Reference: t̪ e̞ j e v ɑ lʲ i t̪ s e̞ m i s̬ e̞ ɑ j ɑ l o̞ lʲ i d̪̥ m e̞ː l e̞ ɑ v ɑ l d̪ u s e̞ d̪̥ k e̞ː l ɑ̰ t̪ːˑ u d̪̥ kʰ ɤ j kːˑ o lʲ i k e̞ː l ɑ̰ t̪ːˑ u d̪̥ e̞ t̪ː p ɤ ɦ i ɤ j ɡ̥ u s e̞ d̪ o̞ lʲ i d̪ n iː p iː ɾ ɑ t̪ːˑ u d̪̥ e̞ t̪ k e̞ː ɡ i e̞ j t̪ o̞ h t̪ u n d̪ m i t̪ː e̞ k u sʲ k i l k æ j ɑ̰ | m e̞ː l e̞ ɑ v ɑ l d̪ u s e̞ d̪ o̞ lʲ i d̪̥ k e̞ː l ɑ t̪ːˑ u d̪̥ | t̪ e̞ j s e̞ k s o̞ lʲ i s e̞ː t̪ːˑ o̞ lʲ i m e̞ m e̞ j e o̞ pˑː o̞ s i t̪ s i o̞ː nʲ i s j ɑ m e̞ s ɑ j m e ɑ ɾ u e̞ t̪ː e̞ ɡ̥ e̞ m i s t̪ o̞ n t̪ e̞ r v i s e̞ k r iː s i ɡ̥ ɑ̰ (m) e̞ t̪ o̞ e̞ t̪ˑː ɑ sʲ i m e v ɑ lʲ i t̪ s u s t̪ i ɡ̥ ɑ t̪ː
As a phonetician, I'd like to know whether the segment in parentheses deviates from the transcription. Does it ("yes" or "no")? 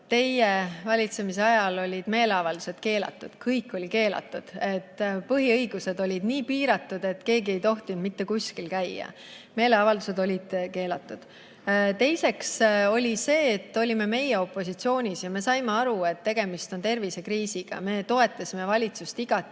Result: no